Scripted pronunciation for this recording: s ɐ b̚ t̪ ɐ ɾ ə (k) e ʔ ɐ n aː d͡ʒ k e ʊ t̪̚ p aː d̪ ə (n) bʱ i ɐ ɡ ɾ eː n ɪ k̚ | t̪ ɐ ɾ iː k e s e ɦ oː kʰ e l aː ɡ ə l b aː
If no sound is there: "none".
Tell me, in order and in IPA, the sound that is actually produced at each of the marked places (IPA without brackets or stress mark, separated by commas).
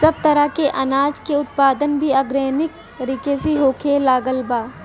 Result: k, n